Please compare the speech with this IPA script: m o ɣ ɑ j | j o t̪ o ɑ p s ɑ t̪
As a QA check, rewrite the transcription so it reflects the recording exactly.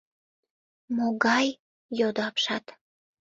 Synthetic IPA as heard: m o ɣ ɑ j | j o d̪ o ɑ p ʃ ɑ t̪